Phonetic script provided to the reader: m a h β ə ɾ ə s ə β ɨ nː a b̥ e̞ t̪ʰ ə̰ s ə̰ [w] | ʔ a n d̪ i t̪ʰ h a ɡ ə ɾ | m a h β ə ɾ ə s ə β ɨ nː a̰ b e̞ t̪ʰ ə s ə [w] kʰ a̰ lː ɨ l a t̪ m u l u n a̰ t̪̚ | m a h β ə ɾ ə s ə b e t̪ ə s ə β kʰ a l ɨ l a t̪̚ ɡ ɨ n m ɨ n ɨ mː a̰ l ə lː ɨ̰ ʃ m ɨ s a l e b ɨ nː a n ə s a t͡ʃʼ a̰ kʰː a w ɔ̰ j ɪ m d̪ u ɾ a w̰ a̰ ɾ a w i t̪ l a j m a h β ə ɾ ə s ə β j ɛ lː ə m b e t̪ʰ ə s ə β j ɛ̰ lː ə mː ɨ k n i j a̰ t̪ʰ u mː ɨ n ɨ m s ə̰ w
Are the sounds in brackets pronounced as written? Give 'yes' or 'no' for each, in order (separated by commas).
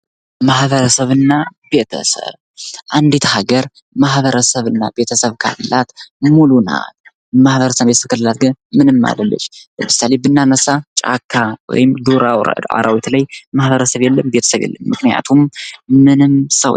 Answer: no, no